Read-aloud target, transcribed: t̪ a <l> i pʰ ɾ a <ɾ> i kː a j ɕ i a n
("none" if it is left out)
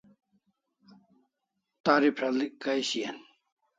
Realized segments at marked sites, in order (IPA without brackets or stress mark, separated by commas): ɾ, l